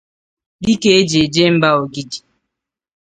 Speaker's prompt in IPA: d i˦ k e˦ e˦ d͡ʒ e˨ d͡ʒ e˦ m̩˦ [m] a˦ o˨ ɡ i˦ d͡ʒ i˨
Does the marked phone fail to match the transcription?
yes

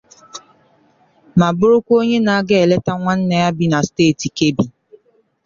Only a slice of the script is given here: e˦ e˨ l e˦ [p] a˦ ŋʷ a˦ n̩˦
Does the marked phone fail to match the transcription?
yes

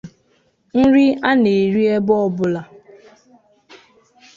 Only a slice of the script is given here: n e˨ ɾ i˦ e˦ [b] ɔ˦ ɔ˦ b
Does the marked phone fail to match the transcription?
no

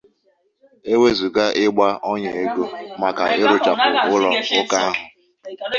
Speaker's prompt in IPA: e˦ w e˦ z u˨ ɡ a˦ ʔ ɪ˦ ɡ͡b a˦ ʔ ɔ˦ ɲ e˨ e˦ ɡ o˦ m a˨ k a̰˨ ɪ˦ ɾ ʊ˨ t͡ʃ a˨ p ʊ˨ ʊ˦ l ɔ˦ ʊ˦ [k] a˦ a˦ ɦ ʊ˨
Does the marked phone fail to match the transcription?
no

